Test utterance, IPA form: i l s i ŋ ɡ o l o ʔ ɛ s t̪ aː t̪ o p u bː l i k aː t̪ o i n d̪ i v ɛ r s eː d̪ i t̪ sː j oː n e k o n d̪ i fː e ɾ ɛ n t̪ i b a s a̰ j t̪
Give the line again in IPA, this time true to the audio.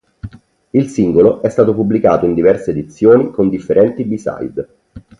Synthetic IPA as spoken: i l s i ŋ ɡ o l o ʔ ɛ s t̪ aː t̪ o p u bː l i k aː t̪ o i n d̪ i v ɛ r s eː d̪ i t̪ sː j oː n i k o n d̪ i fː e ɾ ɛ n t̪ i b i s a̰ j d̪